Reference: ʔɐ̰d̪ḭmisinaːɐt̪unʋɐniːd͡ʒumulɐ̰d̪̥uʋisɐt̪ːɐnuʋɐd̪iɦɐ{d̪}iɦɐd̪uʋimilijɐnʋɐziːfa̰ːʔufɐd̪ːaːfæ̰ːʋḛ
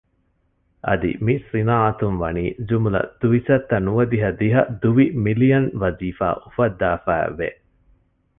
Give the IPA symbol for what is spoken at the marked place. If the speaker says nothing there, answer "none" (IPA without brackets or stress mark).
d̪